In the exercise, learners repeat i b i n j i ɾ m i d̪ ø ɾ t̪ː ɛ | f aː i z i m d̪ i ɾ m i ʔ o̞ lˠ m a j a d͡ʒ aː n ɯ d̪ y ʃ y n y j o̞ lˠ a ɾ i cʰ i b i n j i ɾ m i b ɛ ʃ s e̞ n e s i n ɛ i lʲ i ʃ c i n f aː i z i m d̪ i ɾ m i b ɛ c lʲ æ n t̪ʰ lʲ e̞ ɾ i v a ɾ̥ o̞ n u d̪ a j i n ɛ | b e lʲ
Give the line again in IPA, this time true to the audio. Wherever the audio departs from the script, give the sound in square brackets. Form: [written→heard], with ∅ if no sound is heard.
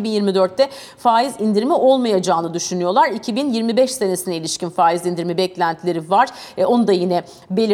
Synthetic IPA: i b i n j i ɾ m i d̪ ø ɾ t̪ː ɛ | f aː i z i [m→n] d̪ i ɾ m i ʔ o̞ lˠ m a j a d͡ʒ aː n ɯ d̪ y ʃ y n y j o̞ lˠ a ɾ i cʰ i b i n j i ɾ m i b ɛ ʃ s e̞ n e s i n ɛ i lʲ i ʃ c i n f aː i z i [m→n] d̪ i ɾ m i b ɛ c lʲ æ n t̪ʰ lʲ e̞ ɾ i v a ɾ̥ o̞ n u d̪ a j i n ɛ | b e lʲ